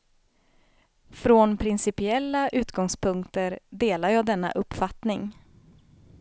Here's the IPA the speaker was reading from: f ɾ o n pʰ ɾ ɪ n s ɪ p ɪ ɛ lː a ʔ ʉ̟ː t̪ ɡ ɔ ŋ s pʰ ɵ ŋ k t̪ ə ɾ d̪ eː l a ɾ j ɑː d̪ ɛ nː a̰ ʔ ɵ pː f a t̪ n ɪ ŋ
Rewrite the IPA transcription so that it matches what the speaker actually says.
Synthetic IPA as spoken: f ɾ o n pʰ ɾ ɪ n s ɪ p ɪ ɛ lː a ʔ ʉ̟ː t̪ ɡ ɔ ŋ s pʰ ɵ ŋ k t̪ ə ɾ d̪ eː l a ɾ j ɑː d̪ ɛ nː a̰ ʔ ɵ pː f a t̪ n ɪ ŋ